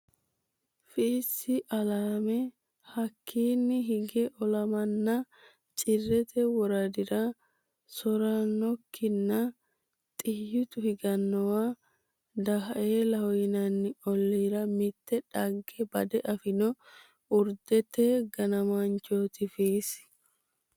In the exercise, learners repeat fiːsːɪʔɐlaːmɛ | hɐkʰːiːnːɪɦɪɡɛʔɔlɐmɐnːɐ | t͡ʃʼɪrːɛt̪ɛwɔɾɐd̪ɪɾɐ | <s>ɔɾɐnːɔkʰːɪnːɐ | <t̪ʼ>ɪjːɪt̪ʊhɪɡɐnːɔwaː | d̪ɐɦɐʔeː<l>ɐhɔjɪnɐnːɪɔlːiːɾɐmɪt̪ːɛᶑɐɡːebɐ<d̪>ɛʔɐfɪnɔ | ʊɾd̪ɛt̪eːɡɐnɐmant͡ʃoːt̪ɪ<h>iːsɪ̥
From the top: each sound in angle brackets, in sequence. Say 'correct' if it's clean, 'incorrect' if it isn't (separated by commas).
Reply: correct, correct, correct, correct, incorrect